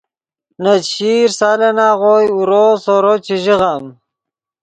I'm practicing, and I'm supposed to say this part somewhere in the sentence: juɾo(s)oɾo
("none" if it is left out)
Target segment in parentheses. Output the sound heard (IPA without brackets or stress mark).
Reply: s